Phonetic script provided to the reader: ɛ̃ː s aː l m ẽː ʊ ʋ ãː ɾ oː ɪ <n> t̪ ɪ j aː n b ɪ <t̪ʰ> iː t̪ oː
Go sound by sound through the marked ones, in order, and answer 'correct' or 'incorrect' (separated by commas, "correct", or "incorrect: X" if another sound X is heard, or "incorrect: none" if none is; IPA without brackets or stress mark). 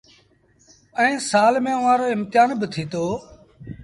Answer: incorrect: m, correct